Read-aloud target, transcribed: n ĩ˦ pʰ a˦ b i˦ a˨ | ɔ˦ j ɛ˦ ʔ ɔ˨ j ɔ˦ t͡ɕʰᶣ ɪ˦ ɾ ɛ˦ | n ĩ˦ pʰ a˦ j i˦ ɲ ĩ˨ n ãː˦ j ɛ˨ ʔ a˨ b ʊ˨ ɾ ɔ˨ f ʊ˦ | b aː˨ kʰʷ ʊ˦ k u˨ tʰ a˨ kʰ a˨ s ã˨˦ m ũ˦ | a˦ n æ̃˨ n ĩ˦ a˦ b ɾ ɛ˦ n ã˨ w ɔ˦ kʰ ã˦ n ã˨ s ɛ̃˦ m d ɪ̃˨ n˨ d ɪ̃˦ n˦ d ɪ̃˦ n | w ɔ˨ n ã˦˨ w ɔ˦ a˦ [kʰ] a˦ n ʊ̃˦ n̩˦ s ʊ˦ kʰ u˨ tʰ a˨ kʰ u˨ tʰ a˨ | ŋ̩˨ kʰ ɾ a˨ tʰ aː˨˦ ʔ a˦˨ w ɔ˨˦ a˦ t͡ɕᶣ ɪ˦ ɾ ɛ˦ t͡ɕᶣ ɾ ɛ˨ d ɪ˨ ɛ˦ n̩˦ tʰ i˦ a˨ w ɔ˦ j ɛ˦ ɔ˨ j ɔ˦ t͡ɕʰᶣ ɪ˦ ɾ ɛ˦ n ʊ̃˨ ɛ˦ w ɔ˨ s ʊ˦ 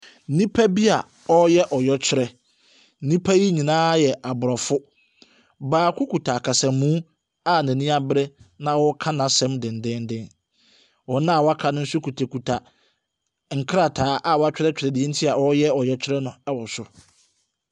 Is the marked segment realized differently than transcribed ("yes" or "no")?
no